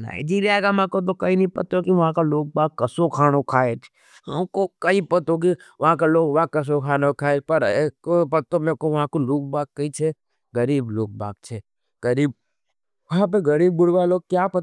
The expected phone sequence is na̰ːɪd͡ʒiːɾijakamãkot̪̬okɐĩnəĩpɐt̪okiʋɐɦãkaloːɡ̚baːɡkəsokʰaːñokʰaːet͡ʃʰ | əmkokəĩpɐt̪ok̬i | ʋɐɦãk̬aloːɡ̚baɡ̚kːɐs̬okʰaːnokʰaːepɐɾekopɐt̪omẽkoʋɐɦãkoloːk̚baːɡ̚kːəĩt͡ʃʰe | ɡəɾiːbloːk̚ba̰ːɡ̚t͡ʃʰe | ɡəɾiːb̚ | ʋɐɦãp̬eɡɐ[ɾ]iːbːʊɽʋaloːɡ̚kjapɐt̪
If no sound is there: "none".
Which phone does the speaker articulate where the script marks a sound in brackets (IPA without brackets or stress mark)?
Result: ɾ